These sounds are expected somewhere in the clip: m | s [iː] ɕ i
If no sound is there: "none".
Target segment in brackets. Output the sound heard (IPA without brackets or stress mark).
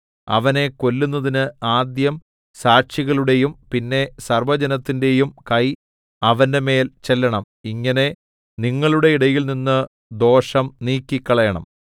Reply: aː